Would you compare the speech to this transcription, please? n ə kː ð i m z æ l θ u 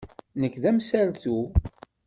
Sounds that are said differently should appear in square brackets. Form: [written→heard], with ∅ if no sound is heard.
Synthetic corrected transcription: n ə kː ð [i→æ] m [z→s] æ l θ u